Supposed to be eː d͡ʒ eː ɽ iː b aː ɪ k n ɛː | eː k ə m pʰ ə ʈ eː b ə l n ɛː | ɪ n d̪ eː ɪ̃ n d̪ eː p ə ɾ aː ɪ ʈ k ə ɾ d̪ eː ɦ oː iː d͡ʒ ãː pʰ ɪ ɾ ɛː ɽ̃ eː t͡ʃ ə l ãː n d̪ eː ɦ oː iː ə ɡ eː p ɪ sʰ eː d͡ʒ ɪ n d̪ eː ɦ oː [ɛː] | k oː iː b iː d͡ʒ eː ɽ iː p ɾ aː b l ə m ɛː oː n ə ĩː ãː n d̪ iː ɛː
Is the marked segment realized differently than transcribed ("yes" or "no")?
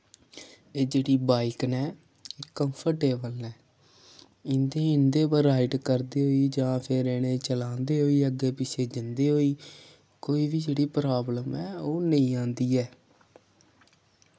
yes